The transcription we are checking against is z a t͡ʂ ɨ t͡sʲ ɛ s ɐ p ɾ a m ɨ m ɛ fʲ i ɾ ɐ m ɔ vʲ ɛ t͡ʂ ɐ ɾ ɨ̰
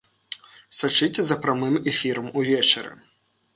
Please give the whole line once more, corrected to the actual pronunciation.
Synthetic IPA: s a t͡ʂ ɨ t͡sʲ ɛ z ɐ p ɾ a m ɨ m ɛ fʲ i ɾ ɐ m u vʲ ɛ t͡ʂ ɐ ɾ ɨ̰